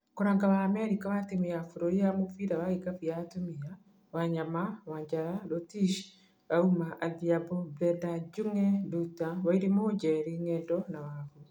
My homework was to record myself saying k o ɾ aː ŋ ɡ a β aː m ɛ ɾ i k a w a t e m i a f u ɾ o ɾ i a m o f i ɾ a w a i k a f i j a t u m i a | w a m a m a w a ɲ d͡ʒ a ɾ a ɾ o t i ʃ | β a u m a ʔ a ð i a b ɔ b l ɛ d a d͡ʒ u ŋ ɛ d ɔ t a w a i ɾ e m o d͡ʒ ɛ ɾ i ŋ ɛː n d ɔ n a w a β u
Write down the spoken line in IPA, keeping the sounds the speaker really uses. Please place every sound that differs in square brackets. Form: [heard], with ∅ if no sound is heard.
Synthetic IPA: k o ɾ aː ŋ ɡ a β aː m ɛ ɾ i k a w a t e m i a f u ɾ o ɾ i a m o f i ɾ a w a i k a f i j a t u m i a | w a [ɲ] a m a w a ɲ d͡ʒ a ɾ a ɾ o t i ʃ | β a u m a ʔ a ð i a b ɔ b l ɛ d a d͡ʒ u ŋ ɛ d [u] t a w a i ɾ e m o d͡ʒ ɛ ɾ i ŋ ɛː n d ɔ n a w a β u

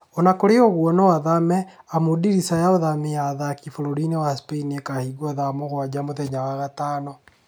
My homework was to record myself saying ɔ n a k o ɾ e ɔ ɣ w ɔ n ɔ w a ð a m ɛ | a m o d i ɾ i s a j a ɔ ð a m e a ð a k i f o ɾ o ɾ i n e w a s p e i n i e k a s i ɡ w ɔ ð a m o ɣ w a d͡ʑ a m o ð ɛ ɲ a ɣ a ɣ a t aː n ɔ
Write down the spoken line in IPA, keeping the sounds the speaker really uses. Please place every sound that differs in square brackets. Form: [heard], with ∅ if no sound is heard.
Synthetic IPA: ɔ n a k o ɾ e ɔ ɣ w ɔ n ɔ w a ð a m ɛ | a m o d i ɾ i s a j a [o] ð a m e a ð a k i f o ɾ o ɾ i n e w a s p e i n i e k a [h] i ɡ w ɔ ð a m o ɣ w a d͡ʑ a m o ð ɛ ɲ a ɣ a ɣ a t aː n ɔ

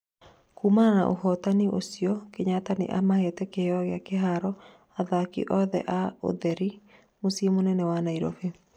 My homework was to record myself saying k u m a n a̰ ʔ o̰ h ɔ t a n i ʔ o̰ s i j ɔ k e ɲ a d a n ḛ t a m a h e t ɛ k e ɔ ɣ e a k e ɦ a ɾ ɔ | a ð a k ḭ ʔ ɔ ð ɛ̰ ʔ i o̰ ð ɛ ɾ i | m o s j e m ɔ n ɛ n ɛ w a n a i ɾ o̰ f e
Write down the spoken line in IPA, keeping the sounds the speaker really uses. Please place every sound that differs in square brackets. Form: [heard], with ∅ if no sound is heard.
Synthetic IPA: k u m a n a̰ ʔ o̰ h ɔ t a n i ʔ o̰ s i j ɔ k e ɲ a [t] a n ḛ [ʔ] a m a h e t ɛ k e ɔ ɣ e a k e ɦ a ɾ ɔ | a ð a k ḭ ʔ ɔ ð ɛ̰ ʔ [a] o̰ ð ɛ ɾ i | m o s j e m [o] n ɛ n ɛ w a n a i ɾ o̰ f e

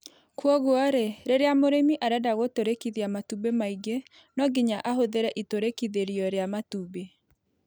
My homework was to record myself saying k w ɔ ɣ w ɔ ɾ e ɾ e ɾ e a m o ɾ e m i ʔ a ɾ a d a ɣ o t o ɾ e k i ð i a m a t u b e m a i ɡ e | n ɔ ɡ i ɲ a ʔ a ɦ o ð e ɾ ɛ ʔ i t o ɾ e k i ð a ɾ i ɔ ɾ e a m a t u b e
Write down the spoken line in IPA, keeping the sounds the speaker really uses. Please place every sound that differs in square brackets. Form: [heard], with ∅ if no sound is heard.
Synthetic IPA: k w ɔ ɣ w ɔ ɾ e ɾ e ɾ e a m o ɾ e m i ʔ a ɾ a d a ɣ o t o ɾ e k i ð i a m a t u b e m a i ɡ e | n ɔ ɡ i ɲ a ʔ a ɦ o ð e ɾ ɛ ʔ i t o ɾ e k i ð [e] ɾ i ɔ ɾ e a m a t u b e

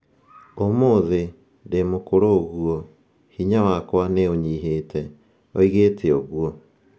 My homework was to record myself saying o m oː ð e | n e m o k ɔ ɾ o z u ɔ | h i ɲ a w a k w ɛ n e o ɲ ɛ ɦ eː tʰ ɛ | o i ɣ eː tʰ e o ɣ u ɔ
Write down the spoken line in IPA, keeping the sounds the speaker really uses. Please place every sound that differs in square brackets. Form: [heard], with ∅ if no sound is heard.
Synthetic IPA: o m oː ð e | [d] e m o k [o] ɾ o [ɣ] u ɔ | h i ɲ a w a k w [a] n e o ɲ [i] ɦ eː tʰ ɛ | o i ɣ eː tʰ e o ɣ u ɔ

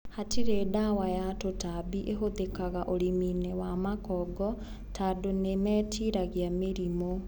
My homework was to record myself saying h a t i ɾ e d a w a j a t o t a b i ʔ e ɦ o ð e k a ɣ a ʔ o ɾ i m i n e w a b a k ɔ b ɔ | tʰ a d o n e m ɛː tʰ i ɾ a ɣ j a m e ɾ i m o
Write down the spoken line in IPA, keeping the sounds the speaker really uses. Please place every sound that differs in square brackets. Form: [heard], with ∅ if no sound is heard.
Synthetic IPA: h a t i ɾ e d a w a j a t o t a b i ʔ e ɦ o ð e k a ɣ a ʔ o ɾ i m i n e w a [m] a k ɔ [ɡ] ɔ | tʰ a d o n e m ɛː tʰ i ɾ a ɣ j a m e ɾ i m o

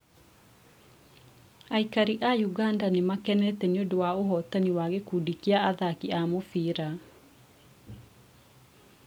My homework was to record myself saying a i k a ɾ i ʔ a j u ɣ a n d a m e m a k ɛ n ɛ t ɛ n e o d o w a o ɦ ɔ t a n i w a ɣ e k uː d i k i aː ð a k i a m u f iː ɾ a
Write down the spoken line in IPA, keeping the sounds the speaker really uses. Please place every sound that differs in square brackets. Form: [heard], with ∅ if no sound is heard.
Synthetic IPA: a i k a ɾ i ʔ a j u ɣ a n d a [n] e m a k ɛ n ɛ t ɛ n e o d o w a o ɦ ɔ t a n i w a ɣ e k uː d i k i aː ð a k i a m [o] f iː ɾ a

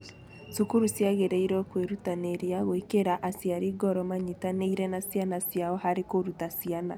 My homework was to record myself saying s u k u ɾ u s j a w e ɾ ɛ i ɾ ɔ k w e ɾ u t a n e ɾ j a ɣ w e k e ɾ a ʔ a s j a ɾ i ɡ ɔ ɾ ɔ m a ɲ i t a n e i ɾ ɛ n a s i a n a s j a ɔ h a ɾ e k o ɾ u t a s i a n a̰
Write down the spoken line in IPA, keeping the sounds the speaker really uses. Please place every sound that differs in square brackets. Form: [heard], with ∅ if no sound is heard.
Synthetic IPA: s u k u ɾ u s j a [ɣ] e ɾ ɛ i ɾ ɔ k w e ɾ u t a n e ɾ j a ɣ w e k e ɾ a ʔ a s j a ɾ i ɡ ɔ ɾ ɔ m a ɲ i t a n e i ɾ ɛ n a s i a n a s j a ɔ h a ɾ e k o ɾ u t a s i a n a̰

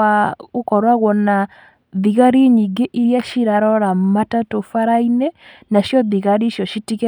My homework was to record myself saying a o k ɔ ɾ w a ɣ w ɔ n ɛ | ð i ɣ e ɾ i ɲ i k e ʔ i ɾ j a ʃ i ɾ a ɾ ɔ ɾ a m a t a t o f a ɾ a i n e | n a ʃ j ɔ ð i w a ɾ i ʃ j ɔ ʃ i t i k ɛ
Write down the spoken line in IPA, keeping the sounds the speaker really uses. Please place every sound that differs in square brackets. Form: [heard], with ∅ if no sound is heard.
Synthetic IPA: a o k ɔ ɾ w a ɣ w ɔ n [a] | ð i ɣ [a] ɾ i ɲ i [ɡ] e ʔ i ɾ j a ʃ i ɾ a ɾ ɔ ɾ a m a t a t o f a ɾ a i n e | n a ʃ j ɔ ð i [ɣ] a ɾ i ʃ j ɔ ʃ i t i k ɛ

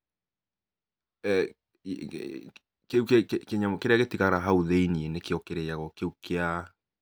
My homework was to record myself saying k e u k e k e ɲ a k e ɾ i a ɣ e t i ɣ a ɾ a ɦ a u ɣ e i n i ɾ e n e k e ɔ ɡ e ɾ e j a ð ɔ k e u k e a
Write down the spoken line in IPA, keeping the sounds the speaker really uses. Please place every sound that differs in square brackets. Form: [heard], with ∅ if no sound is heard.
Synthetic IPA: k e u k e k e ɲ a k e ɾ [e] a ɣ e t i ɣ a ɾ a ɦ a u [ð] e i n i [∅] e n e k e ɔ [k] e ɾ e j a [ɣ] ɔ k e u k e a

